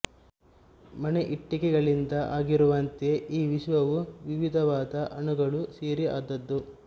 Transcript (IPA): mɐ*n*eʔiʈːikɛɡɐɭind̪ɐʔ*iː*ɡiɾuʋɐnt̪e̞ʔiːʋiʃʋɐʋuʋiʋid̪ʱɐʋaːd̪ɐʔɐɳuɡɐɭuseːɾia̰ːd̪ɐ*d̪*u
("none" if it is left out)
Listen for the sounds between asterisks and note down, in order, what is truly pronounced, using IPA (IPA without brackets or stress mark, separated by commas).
n, aː, d̪ː